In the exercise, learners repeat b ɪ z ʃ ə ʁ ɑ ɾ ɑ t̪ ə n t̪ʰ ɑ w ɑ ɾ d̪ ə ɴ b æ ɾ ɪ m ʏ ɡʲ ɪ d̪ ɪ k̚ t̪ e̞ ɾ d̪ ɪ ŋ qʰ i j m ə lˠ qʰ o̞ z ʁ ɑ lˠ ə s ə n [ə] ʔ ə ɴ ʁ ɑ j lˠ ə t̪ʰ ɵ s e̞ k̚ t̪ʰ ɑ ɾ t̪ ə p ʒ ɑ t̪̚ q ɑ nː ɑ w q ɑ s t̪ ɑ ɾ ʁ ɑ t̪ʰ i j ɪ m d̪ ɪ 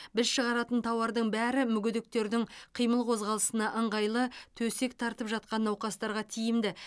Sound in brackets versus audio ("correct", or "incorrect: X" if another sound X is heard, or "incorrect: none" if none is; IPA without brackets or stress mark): incorrect: ɑ